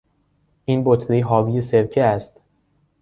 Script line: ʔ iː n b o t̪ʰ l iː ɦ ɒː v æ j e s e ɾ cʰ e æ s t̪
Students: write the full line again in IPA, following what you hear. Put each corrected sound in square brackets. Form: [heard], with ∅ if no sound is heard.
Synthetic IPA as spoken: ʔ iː n b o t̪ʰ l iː ɦ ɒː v [i] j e s e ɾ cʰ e æ s t̪